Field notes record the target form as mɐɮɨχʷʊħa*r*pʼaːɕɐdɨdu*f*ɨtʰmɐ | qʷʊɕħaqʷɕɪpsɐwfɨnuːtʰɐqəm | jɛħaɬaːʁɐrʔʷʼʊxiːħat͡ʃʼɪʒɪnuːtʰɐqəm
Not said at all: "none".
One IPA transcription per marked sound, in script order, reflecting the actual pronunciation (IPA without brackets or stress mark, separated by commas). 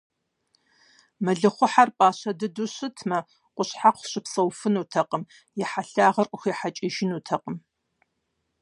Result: r, ɕ